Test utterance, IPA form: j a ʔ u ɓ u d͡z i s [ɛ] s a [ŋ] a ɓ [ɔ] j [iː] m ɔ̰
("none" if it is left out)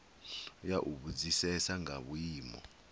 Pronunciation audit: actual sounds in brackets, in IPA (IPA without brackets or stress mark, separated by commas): ɛ, ŋ, u, iː